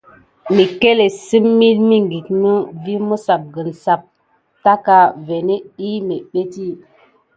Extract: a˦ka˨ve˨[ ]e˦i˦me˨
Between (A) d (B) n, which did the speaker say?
B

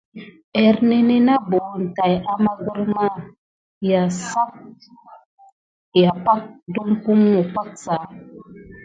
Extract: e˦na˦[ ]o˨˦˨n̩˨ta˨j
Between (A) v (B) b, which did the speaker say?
B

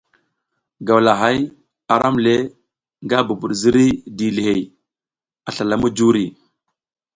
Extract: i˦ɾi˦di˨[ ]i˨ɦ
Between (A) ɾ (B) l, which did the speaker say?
B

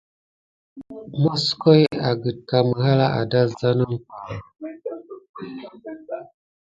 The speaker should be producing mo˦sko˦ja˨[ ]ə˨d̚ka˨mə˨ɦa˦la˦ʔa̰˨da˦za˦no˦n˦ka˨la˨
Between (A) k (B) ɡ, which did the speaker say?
B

